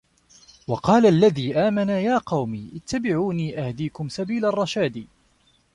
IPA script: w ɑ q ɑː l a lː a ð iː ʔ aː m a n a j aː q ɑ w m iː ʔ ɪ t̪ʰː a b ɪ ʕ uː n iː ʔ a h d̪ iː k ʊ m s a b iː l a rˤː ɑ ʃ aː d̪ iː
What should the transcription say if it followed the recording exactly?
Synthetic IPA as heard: w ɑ q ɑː l a lː a ð iː ʔ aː m a n a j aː q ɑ w m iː ʔ ɪ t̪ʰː a b ɪ ʕ uː n iː ʔ a h d̪ iː k ʊ m s a b iː l a rˤː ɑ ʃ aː d̪ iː